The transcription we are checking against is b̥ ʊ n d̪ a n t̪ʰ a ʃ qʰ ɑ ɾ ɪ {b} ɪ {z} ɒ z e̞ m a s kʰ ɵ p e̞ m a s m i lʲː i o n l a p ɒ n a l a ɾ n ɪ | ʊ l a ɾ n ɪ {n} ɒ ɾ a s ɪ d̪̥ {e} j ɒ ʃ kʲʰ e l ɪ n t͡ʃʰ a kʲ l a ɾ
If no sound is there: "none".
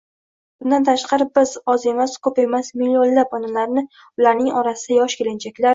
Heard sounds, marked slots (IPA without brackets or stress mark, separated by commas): b, z, ŋ, a